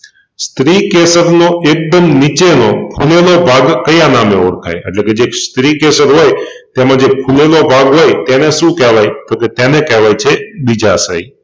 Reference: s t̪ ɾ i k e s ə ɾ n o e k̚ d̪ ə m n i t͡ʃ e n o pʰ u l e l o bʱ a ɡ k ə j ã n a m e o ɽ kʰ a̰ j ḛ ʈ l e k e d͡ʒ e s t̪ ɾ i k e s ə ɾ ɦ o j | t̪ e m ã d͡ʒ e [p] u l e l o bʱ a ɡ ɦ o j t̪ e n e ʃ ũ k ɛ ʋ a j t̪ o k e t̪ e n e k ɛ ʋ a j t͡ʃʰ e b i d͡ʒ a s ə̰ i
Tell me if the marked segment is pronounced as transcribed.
no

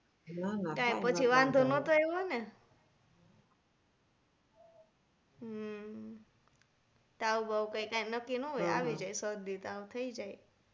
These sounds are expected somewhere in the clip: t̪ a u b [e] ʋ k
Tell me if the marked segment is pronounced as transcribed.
no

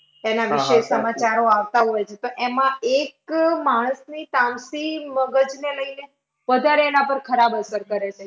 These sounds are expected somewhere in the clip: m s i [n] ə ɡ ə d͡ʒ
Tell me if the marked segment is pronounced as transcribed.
no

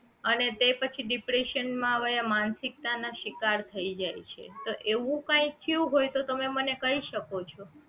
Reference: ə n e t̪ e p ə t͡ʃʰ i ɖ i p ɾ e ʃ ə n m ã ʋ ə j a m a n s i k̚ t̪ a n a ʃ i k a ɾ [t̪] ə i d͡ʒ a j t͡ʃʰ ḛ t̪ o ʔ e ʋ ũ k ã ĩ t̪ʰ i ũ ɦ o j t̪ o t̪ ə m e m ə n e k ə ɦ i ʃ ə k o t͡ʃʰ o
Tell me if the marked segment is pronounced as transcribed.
no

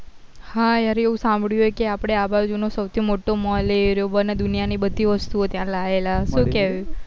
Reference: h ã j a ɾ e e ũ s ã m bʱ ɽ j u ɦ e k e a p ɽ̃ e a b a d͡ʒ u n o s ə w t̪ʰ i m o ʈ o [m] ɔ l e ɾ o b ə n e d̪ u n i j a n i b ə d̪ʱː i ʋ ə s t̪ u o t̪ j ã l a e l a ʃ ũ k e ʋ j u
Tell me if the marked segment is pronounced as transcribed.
yes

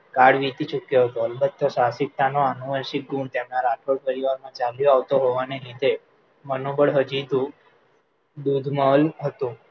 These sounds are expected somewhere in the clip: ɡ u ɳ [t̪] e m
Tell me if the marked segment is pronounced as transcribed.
yes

